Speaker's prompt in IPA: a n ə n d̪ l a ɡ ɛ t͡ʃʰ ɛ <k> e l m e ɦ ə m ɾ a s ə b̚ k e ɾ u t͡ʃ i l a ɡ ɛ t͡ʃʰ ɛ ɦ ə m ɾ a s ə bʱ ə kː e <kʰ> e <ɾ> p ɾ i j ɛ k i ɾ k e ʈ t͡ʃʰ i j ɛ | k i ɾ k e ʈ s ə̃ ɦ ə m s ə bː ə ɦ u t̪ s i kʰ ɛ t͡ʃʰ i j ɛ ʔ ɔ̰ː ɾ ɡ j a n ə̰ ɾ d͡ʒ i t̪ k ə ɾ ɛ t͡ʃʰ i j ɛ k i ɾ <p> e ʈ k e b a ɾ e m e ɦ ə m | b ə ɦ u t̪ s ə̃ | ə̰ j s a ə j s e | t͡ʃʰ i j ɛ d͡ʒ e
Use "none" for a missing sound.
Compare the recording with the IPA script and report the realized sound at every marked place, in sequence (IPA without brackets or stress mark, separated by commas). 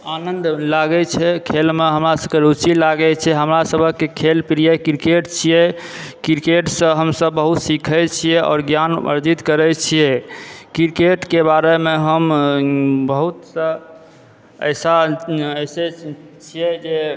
kʰ, kʰ, l, k